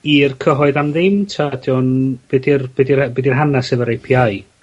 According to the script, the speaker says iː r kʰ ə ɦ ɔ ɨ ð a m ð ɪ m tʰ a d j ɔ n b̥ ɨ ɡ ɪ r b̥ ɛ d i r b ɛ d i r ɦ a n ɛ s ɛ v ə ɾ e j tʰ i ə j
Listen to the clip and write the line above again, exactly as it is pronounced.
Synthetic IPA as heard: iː r kʰ ə ɦ ɔ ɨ ð a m ð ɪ m tʰ a d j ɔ n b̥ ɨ d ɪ r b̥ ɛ d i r b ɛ d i r ɦ a n a s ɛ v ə ɾ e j pʰ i a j